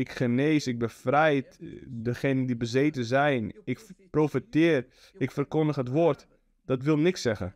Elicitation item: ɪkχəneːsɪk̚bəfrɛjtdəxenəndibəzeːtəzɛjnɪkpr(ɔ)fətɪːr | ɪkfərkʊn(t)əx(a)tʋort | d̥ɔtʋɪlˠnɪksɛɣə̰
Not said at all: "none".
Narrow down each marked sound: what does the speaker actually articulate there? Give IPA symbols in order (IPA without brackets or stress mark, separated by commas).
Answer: o, d, ə